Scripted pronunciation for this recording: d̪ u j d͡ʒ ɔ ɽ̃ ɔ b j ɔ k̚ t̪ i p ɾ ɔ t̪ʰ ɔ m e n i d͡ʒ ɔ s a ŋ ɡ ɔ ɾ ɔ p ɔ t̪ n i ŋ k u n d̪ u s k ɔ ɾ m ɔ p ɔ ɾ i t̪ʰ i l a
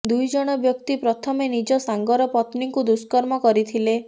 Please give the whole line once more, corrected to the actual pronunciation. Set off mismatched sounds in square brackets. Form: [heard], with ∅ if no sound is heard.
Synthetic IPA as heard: d̪ u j d͡ʒ ɔ ɽ̃ ɔ b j ɔ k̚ t̪ i p ɾ ɔ t̪ʰ ɔ m e n i d͡ʒ ɔ s a ŋ ɡ ɔ ɾ ɔ p ɔ t̪ n i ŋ k u [∅] d̪ u s k ɔ ɾ m ɔ [k] ɔ ɾ i t̪ʰ i l [e]